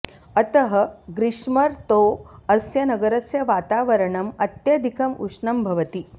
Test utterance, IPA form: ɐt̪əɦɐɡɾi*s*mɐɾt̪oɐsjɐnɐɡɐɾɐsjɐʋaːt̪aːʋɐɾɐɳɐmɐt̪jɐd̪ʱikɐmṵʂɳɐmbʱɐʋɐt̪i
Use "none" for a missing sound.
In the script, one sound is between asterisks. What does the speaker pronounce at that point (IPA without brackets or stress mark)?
ʂ